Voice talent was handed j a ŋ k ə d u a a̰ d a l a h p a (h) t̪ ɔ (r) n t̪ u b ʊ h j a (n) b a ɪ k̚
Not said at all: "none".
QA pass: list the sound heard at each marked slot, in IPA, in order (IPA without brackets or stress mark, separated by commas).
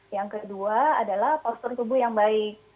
s, r, ŋ